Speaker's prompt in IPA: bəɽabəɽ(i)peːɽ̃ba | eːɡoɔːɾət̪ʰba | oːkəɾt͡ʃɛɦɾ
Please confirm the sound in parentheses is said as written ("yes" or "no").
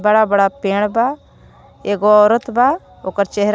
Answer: no